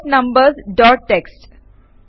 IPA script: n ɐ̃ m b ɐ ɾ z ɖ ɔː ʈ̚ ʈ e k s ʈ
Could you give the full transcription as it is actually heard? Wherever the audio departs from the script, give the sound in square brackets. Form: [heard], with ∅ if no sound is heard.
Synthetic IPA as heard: n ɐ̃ m b [ə] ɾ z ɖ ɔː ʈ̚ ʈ e k s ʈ